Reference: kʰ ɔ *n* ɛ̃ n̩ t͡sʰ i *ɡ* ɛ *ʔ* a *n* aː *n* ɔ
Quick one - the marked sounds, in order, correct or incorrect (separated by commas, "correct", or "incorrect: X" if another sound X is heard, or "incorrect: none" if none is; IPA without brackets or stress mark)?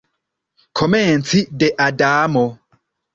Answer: incorrect: m, incorrect: d, correct, incorrect: d, incorrect: m